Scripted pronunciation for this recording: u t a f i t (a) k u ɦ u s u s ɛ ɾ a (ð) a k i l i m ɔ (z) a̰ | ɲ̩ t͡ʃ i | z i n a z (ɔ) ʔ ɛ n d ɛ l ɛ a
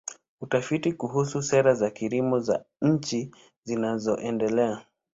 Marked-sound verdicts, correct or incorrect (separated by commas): incorrect, incorrect, correct, correct